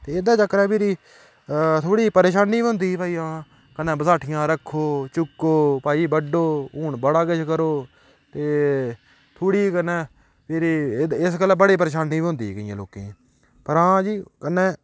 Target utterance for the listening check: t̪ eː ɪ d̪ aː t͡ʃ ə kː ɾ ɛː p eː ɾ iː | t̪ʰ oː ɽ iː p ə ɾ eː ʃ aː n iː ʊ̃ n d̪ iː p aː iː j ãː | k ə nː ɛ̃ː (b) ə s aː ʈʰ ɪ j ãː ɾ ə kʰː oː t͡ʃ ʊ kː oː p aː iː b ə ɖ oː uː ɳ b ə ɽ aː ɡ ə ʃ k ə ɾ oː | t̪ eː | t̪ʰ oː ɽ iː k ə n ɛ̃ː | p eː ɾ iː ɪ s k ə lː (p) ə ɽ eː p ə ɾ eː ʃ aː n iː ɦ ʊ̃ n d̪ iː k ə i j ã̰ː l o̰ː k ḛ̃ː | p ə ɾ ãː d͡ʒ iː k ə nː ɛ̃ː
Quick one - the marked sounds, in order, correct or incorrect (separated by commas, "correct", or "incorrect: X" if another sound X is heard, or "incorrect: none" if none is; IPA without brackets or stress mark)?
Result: correct, incorrect: b